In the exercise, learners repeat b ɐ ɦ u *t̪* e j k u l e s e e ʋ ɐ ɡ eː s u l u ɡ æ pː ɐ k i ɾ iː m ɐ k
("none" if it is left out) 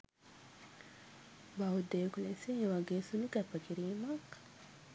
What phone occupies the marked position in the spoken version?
d̪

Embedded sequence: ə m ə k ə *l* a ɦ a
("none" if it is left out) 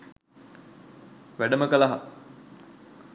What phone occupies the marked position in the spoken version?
l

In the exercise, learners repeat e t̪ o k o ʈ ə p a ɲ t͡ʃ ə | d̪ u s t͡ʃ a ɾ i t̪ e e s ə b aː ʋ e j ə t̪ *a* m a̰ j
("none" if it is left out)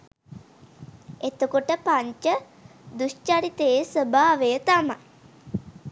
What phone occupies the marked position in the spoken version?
a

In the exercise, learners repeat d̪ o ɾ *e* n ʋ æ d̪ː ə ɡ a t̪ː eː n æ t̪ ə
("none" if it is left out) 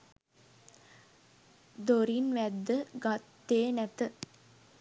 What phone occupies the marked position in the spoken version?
i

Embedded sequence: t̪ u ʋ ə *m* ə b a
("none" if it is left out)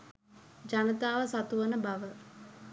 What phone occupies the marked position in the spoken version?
n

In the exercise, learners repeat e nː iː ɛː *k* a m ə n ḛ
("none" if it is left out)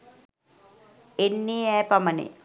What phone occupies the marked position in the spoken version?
p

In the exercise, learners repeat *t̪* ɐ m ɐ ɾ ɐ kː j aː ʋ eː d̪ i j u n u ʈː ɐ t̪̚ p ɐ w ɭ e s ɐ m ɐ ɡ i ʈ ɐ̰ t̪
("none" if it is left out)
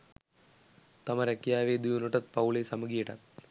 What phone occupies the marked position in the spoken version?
t̪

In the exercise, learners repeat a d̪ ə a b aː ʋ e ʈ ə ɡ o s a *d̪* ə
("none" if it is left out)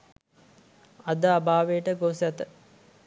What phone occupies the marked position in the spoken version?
t̪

